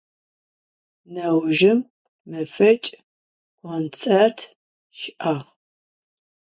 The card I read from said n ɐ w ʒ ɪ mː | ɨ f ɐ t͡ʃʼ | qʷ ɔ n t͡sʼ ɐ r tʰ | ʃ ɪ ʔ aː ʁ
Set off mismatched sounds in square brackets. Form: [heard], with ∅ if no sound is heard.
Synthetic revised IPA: n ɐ w ʒ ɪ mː | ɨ f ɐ t͡ʃʼ | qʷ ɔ n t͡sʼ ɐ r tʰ | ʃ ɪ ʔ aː ʁ